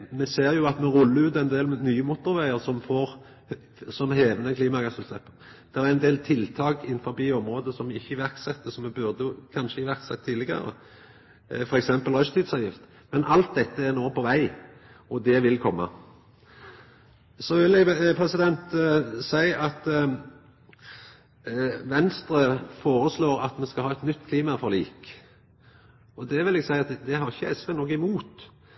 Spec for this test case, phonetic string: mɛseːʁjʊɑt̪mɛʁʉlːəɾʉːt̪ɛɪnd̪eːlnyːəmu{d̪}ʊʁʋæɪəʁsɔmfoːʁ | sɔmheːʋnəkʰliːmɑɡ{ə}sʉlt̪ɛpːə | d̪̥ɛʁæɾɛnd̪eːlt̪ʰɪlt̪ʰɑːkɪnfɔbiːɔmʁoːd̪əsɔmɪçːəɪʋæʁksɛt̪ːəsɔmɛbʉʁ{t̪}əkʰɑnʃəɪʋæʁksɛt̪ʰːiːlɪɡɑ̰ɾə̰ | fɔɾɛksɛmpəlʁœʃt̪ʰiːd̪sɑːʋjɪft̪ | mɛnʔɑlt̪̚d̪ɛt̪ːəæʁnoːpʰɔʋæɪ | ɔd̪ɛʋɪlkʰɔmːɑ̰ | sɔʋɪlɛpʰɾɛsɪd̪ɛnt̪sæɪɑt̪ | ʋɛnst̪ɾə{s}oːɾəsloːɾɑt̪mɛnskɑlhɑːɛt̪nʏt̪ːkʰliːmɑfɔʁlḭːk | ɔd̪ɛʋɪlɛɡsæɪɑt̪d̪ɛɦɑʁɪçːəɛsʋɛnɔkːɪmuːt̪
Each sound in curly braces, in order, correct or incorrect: incorrect, incorrect, incorrect, incorrect

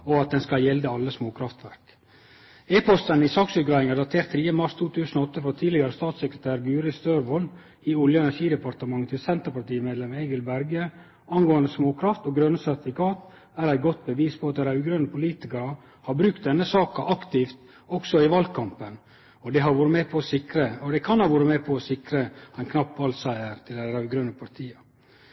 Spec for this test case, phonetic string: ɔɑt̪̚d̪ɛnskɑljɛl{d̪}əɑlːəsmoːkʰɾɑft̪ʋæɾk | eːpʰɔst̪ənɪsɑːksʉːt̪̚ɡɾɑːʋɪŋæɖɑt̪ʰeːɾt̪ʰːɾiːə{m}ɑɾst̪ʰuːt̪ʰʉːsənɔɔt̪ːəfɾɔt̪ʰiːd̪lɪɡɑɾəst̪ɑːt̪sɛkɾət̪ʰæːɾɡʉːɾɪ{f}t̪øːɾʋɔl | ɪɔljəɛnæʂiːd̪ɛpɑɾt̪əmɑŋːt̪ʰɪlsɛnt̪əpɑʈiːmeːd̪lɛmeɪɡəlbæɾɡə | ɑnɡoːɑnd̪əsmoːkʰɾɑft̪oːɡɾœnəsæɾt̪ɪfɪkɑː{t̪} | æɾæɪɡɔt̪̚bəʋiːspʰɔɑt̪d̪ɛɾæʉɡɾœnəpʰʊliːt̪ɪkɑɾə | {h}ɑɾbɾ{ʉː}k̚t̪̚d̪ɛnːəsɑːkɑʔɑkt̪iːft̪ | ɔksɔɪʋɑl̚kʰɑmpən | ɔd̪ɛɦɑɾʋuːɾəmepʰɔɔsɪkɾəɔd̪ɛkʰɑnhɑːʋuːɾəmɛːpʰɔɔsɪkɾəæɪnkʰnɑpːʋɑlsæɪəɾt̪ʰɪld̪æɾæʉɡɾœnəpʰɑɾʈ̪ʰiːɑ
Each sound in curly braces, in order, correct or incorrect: correct, correct, incorrect, correct, correct, incorrect

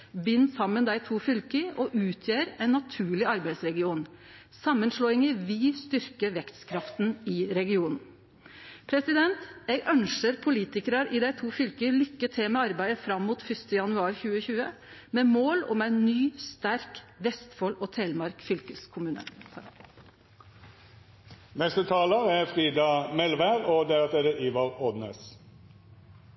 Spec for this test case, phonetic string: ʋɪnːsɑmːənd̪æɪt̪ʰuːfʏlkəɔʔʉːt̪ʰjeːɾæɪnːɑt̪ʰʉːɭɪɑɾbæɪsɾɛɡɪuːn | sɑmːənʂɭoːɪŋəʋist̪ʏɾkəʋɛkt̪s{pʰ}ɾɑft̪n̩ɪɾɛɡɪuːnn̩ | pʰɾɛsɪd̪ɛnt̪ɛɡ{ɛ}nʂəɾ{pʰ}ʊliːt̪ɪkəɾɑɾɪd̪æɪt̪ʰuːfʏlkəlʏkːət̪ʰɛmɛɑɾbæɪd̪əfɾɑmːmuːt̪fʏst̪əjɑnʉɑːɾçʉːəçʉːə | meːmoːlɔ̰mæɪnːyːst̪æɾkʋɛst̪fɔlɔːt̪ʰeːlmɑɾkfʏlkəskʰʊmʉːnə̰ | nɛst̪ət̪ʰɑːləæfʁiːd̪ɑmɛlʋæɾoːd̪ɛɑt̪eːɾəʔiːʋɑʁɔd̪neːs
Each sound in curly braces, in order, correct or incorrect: incorrect, incorrect, correct

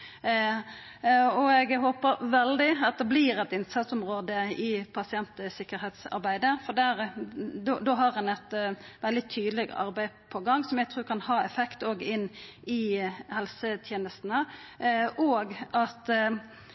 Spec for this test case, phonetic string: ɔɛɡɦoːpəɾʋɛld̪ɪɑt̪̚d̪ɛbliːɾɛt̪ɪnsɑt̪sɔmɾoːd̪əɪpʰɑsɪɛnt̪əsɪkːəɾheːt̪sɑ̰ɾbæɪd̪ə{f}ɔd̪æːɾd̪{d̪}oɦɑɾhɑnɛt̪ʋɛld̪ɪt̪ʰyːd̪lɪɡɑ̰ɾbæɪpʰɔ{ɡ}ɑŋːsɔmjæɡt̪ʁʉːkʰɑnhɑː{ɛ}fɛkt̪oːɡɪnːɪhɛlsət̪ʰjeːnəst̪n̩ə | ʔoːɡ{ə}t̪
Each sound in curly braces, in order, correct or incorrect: correct, correct, correct, correct, incorrect

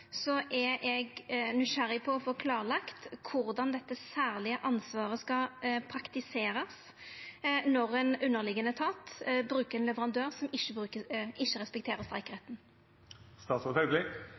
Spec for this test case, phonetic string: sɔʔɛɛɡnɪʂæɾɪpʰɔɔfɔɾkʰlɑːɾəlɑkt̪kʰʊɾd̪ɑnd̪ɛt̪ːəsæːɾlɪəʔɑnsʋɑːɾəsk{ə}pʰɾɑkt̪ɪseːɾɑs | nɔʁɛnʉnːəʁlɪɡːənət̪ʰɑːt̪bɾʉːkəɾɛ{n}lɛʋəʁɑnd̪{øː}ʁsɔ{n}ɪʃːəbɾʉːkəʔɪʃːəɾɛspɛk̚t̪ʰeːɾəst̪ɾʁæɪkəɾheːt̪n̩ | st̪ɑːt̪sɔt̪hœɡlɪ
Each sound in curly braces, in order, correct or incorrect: incorrect, correct, correct, incorrect

